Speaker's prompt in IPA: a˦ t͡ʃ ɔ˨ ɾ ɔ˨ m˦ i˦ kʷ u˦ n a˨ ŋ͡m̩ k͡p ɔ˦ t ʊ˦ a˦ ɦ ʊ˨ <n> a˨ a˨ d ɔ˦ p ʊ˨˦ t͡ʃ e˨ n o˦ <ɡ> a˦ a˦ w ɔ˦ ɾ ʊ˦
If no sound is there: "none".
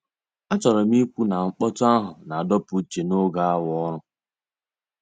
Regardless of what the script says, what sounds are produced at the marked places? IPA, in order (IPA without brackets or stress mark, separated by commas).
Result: n, ɡ